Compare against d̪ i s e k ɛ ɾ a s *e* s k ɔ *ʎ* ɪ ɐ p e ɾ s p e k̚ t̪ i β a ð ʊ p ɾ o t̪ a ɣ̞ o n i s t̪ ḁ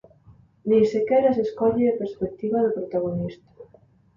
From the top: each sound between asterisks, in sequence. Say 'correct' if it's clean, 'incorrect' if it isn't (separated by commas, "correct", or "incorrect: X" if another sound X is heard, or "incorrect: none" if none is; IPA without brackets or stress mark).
correct, correct